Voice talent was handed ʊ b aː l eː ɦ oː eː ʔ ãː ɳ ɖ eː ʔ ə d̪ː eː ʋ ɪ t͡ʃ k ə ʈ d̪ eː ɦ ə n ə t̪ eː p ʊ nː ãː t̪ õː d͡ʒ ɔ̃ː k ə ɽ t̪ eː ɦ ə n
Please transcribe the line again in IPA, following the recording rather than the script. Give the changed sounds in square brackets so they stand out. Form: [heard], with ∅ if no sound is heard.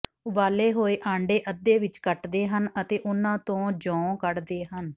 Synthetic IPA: ʊ b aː l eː ɦ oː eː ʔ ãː ɳ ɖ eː ʔ ə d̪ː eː ʋ ɪ t͡ʃ k ə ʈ d̪ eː ɦ ə n ə t̪ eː [ʔ] ʊ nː ãː t̪ õː d͡ʒ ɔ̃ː k ə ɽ [d̪] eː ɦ ə n